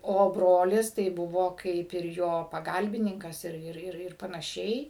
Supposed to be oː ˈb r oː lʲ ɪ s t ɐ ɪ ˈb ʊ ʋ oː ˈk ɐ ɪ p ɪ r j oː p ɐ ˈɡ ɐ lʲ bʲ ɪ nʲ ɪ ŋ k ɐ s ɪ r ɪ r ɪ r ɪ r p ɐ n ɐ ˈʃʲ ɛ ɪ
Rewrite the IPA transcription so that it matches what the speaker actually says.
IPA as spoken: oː ˈb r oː lʲ ɪ s t ɐ ɪ ˈb ʊ ʋ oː ˈk ɐ ɪ p ɪ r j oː p ɐ ˈɡ ɐ lʲ bʲ ɪ nʲ ɪ ŋ k ɐ s ɪ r ɪ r ɪ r ɪ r p ɐ n ɐ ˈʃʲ ɛ ɪ